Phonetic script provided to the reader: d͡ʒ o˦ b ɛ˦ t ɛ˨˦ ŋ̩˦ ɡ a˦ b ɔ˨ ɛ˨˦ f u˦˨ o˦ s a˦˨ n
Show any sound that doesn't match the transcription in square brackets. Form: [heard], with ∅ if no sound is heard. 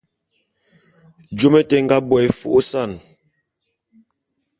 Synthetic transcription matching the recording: d͡ʒ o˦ [m] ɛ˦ t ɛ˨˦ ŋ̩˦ ɡ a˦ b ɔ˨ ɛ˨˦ f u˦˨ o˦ s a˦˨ n